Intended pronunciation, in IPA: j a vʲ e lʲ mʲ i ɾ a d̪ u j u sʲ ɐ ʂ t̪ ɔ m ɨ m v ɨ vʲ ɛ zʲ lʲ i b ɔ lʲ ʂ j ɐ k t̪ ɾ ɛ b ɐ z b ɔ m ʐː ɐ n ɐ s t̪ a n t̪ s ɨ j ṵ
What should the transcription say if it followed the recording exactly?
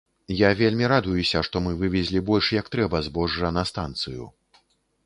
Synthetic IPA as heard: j a vʲ e lʲ mʲ i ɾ a d̪ u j u sʲ ɐ ʂ t̪ ɔ m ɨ v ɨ vʲ ɛ zʲ lʲ i b ɔ lʲ ʂ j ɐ k t̪ ɾ ɛ b ɐ z b ɔ ʐː ɐ n ɐ s t̪ a n t̪ s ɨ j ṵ